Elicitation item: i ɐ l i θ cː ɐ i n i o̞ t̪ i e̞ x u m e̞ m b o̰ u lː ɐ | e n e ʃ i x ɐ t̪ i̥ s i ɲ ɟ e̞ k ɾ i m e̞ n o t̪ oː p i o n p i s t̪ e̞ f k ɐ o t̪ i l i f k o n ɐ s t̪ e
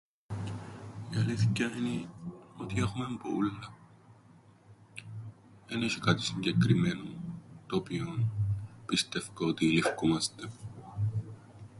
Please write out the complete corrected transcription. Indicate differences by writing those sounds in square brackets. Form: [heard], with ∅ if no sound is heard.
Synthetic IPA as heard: i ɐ l i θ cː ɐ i n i o̞ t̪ i e̞ x u m e̞ m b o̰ u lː ɐ | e n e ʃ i [k] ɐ t̪ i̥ s i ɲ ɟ e̞ k ɾ i m e̞ n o t̪ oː p i o n p i s t̪ e̞ f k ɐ o t̪ i l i f k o [m] ɐ s t̪ e

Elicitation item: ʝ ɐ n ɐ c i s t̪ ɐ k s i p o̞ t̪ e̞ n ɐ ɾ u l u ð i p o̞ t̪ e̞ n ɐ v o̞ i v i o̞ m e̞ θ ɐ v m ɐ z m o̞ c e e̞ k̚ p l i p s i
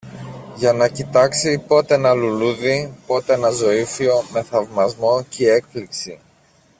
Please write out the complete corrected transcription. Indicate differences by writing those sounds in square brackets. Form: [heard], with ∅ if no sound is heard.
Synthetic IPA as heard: ʝ ɐ n ɐ c i [∅] t̪ ɐ k s i p o̞ t̪ e̞ n ɐ [l] u l u ð i p o̞ t̪ e̞ n ɐ [z] o̞ i [f] i o̞ m e̞ θ ɐ v m ɐ z m o̞ c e e̞ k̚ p l i [k] s i

